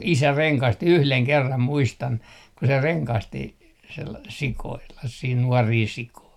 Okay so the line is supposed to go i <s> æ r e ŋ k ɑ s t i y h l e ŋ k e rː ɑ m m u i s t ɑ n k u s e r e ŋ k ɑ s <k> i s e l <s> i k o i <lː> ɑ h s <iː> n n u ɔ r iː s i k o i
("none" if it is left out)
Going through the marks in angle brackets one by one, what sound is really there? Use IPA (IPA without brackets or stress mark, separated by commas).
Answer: s, t, s, lː, iː